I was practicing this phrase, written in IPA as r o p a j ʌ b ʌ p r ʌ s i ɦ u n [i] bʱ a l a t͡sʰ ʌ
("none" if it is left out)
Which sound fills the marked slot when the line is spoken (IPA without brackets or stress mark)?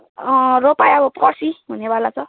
e